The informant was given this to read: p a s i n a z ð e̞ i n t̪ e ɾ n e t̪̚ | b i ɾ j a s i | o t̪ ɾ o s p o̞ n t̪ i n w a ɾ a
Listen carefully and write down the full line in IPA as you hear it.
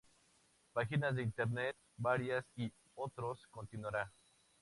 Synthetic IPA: p a x i n a z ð e̞ i n t̪ e ɾ n e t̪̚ | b a ɾ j a s i | o t̪ ɾ o s k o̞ n t̪ i n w a ɾ a

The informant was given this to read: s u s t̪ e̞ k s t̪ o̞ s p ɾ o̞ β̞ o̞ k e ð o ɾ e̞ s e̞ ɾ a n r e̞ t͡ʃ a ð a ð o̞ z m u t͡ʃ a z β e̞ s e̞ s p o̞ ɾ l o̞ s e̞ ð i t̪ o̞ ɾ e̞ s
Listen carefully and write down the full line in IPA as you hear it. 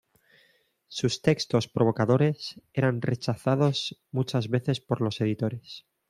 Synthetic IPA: s u s t̪ e̞ k s t̪ o̞ s p ɾ o̞ β̞ o̞ k a ð o ɾ e̞ s e̞ ɾ a n r e̞ t͡ʃ a θ a ð o̞ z m u t͡ʃ a z β e̞ θ e̞ s p o̞ ɾ l o̞ s e̞ ð i t̪ o̞ ɾ e̞ s

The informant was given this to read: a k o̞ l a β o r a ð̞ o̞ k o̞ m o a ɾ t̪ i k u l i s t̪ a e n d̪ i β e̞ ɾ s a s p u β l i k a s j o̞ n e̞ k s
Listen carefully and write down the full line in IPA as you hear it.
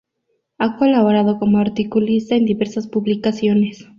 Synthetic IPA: a k o̞ l a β o ɾ a ð̞ o̞ k o̞ m o a ɾ t̪ i k u l i s t̪ a e n d̪ i β e̞ ɾ s a s p u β l i k a s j o̞ n e̞ s

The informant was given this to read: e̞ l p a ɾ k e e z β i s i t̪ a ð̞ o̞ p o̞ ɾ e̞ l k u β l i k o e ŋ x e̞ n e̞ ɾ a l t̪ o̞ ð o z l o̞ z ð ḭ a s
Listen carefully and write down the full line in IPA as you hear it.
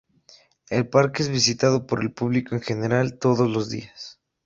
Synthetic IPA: e̞ l p a ɾ k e e z β i s i t̪ a ð̞ o̞ p o̞ ɾ e̞ l p u β l i k o e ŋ x e̞ n e̞ ɾ a l t̪ o̞ ð o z l o̞ z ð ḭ a s

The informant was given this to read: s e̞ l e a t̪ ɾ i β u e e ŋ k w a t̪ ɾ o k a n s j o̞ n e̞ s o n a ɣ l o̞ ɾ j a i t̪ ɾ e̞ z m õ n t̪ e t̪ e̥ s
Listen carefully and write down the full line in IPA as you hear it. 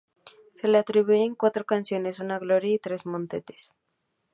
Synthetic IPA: s e̞ l e a t̪ ɾ i β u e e ŋ k w a t̪ ɾ o k a n s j o̞ n e̞ s u n a ɣ l o̞ ɾ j a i t̪ ɾ e̞ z m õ n t̪ e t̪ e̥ s

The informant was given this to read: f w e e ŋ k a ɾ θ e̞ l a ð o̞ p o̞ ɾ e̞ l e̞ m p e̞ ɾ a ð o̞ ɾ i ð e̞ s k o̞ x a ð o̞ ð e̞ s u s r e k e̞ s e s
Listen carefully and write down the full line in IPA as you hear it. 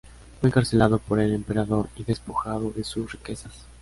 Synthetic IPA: f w e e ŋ k a ɾ s e̞ l a ð o̞ p o̞ ɾ e̞ l e̞ m p e̞ ɾ a ð o̞ ɾ i ð e̞ s p o̞ x a ð o̞ ð e̞ s u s r i k e̞ s a s

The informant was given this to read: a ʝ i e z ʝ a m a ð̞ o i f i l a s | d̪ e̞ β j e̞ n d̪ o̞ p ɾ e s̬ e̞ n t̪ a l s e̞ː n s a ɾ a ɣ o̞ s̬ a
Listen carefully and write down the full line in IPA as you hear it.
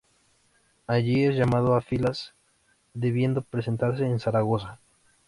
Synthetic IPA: a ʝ i e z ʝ a m a ð̞ o a f i l a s | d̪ e̞ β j e̞ n d̪ o̞ p ɾ e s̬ e̞ n t̪ a ɾ s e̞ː n s a ɾ a ɣ o̞ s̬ a

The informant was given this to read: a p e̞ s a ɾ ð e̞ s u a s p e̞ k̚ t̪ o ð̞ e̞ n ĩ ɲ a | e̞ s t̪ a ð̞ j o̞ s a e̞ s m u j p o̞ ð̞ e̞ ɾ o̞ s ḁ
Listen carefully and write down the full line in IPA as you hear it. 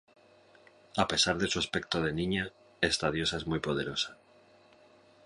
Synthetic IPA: a p e̞ s a ɾ ð e̞ s u a s p e̞ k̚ t̪ o ð̞ e̞ n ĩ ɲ a | e̞ s t̪ a ð̞ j o̞ s a e̞ z m u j p o̞ ð̞ e̞ ɾ o̞ s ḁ

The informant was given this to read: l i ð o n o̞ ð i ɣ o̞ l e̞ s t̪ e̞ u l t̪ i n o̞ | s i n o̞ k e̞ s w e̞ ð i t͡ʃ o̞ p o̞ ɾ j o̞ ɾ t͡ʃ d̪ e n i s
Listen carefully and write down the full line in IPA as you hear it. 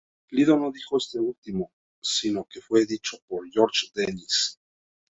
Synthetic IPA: l i ð o n o̞ ð i x o̞ e̞ s t̪ e̞ u l t̪ i m o̞ | s i n o̞ k e̞ f w e̞ ð i t͡ʃ o̞ p o̞ ɾ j o̞ ɾ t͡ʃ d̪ e n i s

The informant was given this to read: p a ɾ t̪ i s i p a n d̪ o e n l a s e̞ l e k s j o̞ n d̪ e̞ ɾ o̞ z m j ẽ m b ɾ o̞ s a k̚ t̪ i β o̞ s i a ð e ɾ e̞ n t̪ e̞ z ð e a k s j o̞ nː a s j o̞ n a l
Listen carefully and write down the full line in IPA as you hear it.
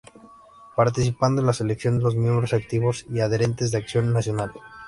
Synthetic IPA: p a ɾ t̪ i s i p a n d̪ o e n l a s e̞ l e k s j o̞ n d̪ e̞ l o̞ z m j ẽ m b ɾ o̞ s a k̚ t̪ i β o̞ s i a ð e ɾ e̞ n t̪ e̞ z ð e a k s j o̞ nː a s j o̞ n a l

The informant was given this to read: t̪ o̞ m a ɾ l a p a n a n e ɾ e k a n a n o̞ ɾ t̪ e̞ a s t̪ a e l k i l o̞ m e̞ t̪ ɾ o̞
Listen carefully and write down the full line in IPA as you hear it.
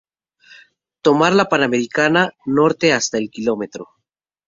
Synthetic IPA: t̪ o̞ m a ɾ l a p a n a m e ɾ i k a n a n o̞ ɾ t̪ e̞ a s t̪ a e l k i l o̞ m e̞ t̪ ɾ o̞

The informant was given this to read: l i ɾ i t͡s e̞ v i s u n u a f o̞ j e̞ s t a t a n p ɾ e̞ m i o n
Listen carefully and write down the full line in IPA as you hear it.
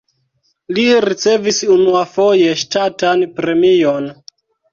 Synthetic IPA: l i ɾ i t͡s e̞ v i s u n u a f o̞ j e̞ ʃ t a t a n p ɾ e̞ m i o n

